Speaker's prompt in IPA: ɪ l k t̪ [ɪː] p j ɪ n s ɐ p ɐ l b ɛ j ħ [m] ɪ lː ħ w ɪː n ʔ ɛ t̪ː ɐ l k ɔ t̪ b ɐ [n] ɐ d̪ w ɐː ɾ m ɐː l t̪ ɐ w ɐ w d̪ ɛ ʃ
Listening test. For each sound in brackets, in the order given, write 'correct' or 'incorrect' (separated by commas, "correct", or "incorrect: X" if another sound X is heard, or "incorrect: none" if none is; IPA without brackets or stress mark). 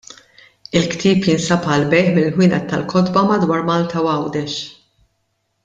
incorrect: iː, correct, incorrect: m